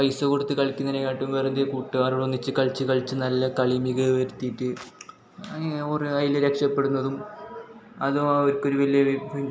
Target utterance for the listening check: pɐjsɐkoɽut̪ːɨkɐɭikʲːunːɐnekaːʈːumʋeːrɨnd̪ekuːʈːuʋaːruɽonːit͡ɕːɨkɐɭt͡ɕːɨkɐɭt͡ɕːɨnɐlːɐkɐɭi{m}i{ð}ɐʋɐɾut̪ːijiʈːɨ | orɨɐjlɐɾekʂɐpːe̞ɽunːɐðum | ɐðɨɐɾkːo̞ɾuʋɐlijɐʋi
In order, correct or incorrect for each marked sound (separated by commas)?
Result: correct, incorrect